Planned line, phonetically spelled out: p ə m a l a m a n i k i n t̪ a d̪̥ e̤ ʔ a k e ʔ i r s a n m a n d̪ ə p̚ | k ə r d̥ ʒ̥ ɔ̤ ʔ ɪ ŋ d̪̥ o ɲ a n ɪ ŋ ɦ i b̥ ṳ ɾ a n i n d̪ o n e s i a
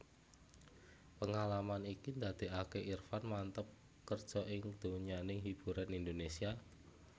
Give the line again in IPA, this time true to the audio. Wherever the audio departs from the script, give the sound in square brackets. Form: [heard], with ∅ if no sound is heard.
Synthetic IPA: p ə [ŋ] a l a m a n i k i n [d̪] a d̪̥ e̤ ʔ a k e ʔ i r [f] a n m a n [t̪] ə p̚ | k ə r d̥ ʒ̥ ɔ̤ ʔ ɪ ŋ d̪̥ o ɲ a n ɪ ŋ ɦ i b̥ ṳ ɾ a n i n d̪ o n e s i a